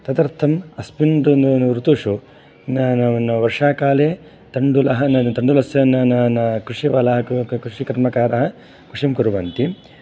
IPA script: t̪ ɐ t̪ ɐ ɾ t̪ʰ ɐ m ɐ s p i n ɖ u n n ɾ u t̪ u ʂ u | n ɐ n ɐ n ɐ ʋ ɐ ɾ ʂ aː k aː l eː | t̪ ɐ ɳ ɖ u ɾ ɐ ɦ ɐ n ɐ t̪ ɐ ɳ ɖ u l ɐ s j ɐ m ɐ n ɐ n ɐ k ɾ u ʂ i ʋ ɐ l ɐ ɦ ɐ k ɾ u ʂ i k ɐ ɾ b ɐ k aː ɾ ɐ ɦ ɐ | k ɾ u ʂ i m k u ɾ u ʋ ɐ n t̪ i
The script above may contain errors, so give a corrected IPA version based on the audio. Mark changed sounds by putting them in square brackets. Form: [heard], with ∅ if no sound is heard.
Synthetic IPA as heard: t̪ ɐ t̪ ɐ ɾ t̪ʰ ɐ m ɐ s p i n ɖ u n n ɾ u t̪ u ʂ u | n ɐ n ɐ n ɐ ʋ ɐ ɾ ʂ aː k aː l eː | t̪ ɐ ɳ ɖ u [l] ɐ ɦ ɐ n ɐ t̪ ɐ ɳ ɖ u l ɐ s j ɐ [n] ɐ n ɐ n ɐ k ɾ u ʂ i ʋ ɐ l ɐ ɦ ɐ k ɾ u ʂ i k ɐ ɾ [m] ɐ k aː ɾ ɐ ɦ ɐ | k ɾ u ʂ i m k u ɾ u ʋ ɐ n t̪ i

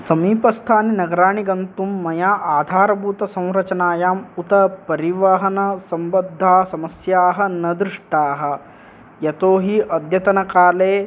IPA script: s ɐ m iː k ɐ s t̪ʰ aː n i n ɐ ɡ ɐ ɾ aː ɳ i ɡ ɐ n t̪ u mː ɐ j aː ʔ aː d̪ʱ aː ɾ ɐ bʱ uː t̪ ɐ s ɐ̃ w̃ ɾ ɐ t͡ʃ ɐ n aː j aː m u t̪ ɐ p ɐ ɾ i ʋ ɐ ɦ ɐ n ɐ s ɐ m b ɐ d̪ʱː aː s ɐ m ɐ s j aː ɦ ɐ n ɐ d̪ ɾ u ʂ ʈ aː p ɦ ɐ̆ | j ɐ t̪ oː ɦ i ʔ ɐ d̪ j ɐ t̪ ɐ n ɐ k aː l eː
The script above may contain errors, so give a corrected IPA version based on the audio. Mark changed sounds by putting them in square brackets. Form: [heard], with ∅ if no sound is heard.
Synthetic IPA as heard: s ɐ m iː [p] ɐ s t̪ʰ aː n i n ɐ ɡ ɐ ɾ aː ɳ i ɡ ɐ n t̪ u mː ɐ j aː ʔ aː d̪ʱ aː ɾ ɐ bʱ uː t̪ ɐ s ɐ̃ w̃ ɾ ɐ t͡ʃ ɐ n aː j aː m u t̪ ɐ p ɐ ɾ i ʋ ɐ ɦ ɐ n ɐ s ɐ m b ɐ d̪ʱː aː s ɐ m ɐ s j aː ɦ ɐ n ɐ d̪ ɾ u ʂ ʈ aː [∅] ɦ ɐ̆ | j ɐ t̪ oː ɦ i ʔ ɐ d̪ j ɐ t̪ ɐ n ɐ k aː l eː

